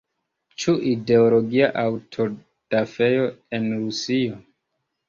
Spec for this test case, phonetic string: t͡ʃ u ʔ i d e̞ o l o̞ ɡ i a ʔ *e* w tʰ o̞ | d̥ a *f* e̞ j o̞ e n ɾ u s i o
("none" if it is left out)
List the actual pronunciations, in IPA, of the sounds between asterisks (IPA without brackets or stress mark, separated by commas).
a, f